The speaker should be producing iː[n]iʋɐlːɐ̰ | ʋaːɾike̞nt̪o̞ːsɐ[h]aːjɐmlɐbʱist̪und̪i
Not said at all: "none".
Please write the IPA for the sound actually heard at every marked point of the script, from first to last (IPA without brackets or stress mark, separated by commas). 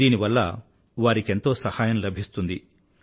n, h